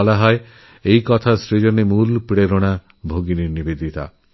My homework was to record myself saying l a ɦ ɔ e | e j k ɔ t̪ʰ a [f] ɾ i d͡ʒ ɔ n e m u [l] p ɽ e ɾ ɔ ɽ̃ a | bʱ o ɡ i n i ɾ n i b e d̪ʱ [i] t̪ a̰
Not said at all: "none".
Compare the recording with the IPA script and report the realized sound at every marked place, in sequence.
s, l, i

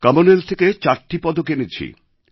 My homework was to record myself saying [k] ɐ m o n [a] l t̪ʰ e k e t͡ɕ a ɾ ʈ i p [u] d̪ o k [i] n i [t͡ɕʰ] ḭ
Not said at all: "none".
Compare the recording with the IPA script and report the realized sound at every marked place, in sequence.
k, e, ɔ, e, t͡ɕʰ

